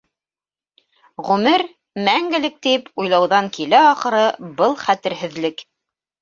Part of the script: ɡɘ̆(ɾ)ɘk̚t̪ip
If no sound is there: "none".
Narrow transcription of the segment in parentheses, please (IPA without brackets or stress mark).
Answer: l